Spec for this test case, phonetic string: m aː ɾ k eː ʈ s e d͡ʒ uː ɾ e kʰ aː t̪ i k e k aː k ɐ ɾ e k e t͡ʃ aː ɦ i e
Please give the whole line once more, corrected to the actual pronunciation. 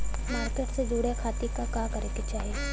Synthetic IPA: m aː ɾ k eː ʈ s e d͡ʒ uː ɽ e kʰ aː t̪ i k a k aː k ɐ ɾ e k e t͡ʃ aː ɦ i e

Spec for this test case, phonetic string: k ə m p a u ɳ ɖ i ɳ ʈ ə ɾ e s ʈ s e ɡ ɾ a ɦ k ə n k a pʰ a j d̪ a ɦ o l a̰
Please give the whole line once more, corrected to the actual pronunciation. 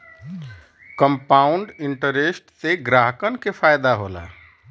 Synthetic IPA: k ə m p a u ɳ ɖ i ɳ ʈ ə ɾ e s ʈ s e ɡ ɾ a ɦ k ə n k e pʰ a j d̪ a ɦ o l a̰

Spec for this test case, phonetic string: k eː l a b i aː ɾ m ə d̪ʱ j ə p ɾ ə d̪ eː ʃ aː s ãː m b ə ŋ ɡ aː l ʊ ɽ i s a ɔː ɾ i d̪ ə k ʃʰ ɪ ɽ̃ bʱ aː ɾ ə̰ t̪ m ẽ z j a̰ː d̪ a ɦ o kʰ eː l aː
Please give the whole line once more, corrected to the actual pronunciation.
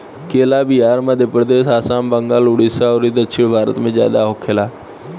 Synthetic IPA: k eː l a b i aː ɾ m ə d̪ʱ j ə p ɾ ə d̪ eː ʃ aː s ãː m b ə ŋ ɡ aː l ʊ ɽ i s a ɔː ɾ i d̪ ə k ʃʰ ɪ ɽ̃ bʱ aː ɾ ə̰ t̪ m ẽ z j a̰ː d̪ a ɦ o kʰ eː l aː

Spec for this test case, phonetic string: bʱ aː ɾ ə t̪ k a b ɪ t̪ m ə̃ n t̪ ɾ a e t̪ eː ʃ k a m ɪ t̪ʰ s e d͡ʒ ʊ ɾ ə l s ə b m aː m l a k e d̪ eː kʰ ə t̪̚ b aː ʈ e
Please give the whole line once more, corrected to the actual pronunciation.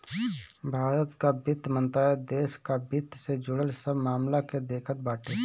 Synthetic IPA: bʱ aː ɾ ə t̪ k a b ɪ t̪ m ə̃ n t̪ ɾ a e d̪ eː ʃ k a b ɪ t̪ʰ s e d͡ʒ ʊ ɽ ə l s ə b m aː m l a k e d̪ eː kʰ ə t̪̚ b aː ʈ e

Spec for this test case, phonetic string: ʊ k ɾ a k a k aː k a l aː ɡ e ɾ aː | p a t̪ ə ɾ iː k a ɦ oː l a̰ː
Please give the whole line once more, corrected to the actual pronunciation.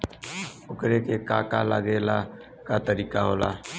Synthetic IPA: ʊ k ɾ e k e k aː k a l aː ɡ e l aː | k a t̪ ə ɾ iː k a ɦ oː l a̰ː

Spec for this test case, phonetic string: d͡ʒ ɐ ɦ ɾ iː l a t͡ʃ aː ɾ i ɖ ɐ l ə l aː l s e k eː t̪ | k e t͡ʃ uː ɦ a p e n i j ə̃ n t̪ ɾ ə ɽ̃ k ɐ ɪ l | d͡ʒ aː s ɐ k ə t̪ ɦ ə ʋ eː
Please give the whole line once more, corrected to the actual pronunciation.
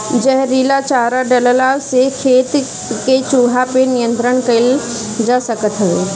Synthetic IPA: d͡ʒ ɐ ɦ ɾ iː l a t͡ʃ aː ɾ a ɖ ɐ l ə l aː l s e kʰ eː t̪ | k e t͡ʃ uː ɦ a p e n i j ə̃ n t̪ ɾ ə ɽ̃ k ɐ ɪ l | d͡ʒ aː s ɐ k ə t̪ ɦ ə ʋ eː

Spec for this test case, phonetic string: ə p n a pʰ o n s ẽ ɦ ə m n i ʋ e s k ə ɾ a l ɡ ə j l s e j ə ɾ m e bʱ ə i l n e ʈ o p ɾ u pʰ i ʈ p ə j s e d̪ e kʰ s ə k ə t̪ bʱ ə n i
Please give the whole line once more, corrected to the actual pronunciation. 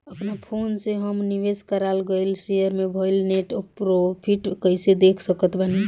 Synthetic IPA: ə p n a pʰ o n s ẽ ɦ ə m n i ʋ e s k ə ɾ a l ɡ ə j l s e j ə ɾ m e bʱ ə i l n e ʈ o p ɾ o pʰ i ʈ k ə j s e d̪ e kʰ s ə k ə t̪ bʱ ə n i

